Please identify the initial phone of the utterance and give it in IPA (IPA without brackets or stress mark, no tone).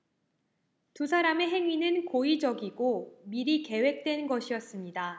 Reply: t